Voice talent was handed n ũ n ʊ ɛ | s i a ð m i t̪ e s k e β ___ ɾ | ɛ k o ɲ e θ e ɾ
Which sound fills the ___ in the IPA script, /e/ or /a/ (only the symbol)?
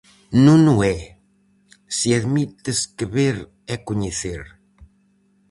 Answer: e